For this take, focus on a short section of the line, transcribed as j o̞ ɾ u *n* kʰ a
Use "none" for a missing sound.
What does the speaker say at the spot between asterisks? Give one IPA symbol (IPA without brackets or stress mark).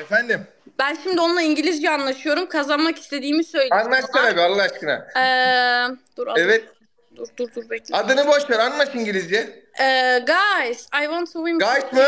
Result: m